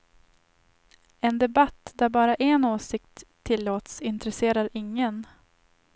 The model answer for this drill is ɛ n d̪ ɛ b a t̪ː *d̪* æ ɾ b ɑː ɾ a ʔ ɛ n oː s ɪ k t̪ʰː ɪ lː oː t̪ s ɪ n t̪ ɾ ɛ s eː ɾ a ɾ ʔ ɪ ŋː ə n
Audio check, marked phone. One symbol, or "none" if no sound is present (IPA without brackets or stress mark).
d̪